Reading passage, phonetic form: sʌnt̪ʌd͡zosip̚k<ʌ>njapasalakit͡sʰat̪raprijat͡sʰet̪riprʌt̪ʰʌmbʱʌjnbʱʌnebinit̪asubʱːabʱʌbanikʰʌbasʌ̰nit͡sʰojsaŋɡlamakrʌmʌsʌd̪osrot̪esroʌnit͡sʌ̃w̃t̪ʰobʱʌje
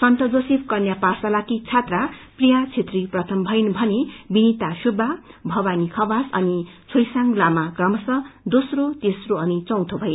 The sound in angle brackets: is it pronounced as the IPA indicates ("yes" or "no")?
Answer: yes